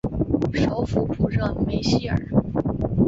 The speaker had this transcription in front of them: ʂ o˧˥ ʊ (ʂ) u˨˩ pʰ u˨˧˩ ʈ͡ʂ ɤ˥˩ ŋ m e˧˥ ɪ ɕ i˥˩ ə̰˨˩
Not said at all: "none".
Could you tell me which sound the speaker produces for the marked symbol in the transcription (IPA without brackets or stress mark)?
f